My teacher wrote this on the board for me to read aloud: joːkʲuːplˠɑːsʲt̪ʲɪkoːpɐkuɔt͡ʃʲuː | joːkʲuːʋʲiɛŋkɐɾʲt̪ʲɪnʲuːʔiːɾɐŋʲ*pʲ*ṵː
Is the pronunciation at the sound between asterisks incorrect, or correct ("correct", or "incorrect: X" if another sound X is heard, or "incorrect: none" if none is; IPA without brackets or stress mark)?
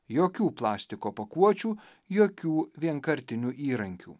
incorrect: kʲ